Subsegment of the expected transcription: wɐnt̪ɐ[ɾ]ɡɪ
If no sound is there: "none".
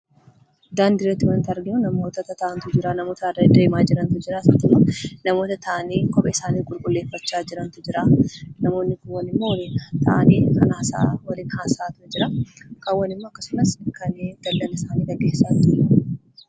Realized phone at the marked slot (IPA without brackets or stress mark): ɾ